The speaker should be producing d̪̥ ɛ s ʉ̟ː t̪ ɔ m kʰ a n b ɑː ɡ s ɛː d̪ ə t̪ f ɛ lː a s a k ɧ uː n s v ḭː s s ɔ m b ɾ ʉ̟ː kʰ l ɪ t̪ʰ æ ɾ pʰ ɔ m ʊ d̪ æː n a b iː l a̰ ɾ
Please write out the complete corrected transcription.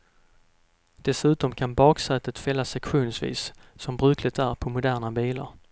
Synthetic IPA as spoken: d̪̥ ɛ s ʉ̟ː t̪ ɔ m kʰ a n b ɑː k s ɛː t̪ ə t̪ f ɛ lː a s ɛ k ɧ uː n s v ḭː s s ɔ m b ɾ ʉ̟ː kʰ l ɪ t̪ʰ æ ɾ pʰ ɔ m ʊ d̪ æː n a b iː l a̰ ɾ